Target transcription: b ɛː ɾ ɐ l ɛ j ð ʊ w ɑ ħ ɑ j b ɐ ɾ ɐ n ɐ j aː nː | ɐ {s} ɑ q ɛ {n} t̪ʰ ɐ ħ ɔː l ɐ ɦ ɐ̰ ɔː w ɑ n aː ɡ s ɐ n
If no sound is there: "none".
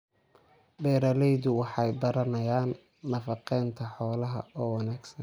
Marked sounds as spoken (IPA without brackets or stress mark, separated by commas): f, n